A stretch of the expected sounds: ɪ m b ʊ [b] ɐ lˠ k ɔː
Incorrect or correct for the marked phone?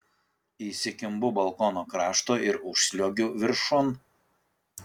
correct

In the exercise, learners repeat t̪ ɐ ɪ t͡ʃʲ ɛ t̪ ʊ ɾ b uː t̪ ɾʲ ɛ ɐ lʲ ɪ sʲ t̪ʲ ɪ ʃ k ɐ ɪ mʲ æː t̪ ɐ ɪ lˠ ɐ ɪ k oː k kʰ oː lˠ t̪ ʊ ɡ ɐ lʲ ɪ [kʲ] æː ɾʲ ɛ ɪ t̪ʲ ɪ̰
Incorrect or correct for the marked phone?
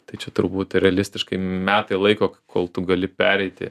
incorrect: pʲ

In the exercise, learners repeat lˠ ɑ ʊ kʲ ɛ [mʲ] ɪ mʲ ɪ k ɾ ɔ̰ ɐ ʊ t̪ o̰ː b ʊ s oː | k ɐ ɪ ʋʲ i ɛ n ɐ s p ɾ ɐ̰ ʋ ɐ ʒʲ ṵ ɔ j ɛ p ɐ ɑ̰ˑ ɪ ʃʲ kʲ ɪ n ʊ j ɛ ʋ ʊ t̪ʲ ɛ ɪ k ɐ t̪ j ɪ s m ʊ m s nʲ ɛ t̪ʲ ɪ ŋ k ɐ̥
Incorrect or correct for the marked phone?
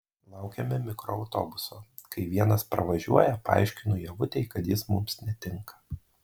correct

